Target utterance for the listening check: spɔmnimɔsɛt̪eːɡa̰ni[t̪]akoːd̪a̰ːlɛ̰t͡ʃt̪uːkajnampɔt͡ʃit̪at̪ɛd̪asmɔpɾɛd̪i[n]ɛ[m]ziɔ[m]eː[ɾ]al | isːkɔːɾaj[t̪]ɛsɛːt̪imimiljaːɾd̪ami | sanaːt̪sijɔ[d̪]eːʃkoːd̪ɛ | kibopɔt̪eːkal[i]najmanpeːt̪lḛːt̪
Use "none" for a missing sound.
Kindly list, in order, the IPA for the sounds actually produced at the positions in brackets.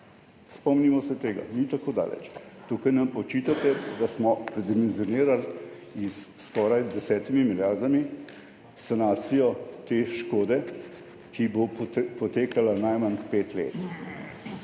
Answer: t̪, m, n, n, ɾ, d̪, t̪, a

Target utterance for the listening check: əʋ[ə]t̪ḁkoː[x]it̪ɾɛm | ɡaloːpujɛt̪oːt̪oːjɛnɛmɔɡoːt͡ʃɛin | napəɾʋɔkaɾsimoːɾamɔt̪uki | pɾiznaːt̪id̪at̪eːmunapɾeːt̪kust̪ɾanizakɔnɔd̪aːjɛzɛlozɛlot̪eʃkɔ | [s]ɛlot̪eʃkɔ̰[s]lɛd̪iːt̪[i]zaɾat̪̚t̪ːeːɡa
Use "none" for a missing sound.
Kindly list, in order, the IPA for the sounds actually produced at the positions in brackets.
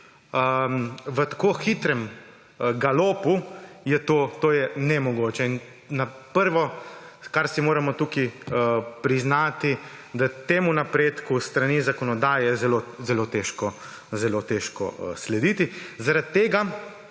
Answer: ə, x, z, s, i

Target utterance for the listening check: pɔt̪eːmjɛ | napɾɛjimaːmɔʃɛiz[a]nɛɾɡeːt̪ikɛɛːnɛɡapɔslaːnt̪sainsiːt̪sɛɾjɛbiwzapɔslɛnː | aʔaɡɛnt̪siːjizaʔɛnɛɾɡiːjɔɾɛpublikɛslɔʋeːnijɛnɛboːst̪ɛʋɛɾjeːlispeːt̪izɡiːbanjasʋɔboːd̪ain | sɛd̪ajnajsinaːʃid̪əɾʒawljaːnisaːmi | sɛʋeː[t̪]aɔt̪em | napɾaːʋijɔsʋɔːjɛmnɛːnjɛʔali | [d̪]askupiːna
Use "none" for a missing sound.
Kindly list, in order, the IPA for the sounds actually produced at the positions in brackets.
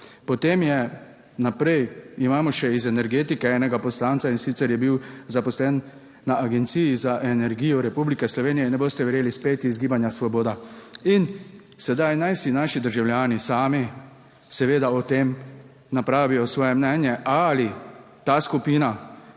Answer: ɛ, d̪, t̪

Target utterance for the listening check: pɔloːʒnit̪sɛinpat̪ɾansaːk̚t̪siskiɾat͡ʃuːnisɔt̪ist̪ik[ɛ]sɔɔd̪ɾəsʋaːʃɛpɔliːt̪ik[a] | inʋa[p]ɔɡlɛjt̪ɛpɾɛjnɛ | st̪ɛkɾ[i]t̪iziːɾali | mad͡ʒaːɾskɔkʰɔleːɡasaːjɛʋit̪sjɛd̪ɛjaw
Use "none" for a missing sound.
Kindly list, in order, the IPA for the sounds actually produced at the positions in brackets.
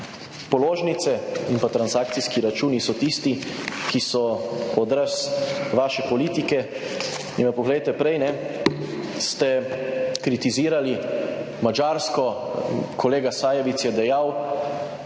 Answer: i, ɛ, p, i

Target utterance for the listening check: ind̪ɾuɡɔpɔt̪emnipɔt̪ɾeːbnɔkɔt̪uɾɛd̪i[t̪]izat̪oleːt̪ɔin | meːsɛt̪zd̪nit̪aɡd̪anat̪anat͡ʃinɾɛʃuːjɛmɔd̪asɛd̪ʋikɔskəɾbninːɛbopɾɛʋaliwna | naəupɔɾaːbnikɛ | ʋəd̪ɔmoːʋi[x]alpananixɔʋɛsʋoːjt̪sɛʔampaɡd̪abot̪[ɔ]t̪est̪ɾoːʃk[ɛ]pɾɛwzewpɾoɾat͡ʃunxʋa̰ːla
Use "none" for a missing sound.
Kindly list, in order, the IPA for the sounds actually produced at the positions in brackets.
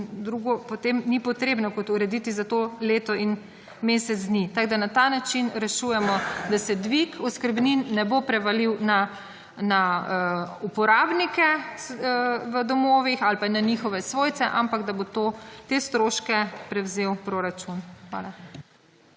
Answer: t̪, x, o, ɛ

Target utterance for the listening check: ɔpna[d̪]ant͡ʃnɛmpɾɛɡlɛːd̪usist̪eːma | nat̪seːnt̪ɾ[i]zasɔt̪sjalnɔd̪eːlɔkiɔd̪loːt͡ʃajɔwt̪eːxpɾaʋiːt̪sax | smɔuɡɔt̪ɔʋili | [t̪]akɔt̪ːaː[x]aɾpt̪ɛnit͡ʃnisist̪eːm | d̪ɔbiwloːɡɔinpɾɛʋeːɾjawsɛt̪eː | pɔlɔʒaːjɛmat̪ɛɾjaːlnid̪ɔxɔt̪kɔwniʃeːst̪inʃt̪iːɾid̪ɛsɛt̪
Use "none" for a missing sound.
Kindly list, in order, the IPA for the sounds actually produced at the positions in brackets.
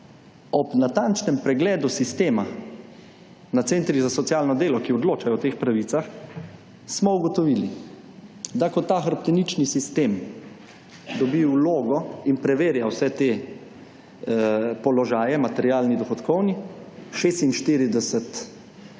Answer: t̪, i, d̪, x

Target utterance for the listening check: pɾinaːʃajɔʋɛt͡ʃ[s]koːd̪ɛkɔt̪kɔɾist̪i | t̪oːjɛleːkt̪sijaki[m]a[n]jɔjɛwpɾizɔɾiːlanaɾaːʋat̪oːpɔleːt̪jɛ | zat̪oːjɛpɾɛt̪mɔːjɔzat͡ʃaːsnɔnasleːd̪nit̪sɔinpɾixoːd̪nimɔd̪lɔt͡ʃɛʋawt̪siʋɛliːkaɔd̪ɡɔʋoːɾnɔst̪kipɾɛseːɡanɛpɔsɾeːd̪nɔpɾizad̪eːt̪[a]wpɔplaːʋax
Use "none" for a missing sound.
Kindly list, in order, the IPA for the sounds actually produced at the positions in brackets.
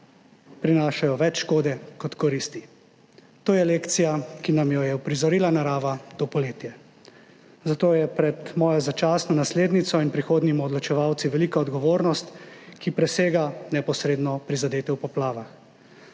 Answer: ʃ, n, m, ɛ

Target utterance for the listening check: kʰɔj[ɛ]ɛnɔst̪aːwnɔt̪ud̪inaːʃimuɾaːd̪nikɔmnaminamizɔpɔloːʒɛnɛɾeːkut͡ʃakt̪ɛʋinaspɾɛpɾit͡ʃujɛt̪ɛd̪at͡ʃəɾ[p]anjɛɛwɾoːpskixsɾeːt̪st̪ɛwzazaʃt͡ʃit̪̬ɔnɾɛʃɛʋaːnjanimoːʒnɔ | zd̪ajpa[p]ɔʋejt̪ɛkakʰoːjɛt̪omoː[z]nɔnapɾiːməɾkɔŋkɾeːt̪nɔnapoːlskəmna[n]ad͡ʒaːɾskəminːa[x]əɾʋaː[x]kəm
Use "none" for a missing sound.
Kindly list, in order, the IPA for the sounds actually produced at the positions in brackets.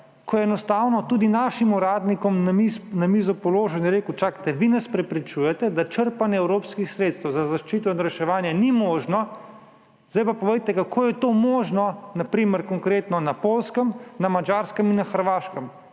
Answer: ɛ, p, p, ʒ, m, x, ʃ

